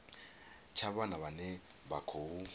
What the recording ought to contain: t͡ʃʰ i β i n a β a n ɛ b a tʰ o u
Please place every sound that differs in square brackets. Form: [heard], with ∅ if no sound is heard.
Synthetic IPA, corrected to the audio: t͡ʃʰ [a] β [a] n a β a n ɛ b a [kʰ] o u